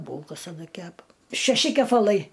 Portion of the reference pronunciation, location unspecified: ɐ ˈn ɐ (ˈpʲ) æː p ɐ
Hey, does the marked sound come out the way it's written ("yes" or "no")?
no